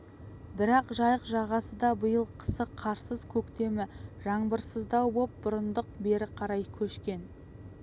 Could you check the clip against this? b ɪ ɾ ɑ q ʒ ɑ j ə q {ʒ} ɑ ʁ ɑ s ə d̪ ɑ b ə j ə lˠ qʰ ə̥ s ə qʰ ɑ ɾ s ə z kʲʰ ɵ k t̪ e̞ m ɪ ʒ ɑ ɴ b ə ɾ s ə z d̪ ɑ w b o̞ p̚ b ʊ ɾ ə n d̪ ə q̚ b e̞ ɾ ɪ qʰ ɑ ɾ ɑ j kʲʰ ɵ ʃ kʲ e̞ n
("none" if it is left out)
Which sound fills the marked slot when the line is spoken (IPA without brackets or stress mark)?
ʒ